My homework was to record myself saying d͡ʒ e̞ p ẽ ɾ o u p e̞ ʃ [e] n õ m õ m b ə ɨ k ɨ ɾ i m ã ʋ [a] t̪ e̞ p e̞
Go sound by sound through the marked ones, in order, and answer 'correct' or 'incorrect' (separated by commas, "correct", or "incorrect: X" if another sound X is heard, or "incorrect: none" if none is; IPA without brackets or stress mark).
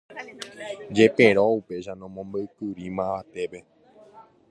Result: incorrect: a, correct